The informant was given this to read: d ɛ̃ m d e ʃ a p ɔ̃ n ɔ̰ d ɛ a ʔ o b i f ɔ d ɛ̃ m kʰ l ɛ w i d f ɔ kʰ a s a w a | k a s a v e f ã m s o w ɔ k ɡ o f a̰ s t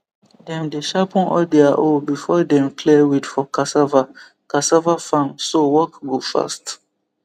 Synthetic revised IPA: d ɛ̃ m d e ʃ a p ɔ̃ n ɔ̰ d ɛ a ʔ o b i f ɔ d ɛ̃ m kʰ l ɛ w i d f ɔ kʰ a s a v a | k a s a v a f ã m s o w ɔ k ɡ o f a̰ s t